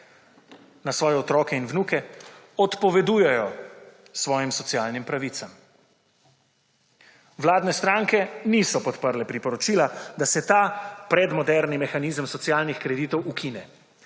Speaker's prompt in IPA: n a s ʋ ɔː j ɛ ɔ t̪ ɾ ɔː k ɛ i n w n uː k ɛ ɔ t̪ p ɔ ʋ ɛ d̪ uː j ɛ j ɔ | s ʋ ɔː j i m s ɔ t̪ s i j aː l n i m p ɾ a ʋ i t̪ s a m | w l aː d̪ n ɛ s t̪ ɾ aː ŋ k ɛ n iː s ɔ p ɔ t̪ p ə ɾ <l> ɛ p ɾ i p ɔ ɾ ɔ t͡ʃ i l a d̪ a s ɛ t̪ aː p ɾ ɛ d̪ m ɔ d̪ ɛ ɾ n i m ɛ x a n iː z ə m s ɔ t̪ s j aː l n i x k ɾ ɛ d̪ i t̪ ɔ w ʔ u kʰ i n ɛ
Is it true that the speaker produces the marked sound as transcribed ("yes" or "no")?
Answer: yes